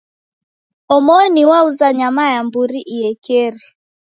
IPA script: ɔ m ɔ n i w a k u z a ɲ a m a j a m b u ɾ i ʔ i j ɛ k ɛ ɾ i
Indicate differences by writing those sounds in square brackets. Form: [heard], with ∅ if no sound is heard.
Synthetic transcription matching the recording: ɔ m ɔ n i w a [∅] u z a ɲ a m a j a m b u ɾ i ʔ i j ɛ k ɛ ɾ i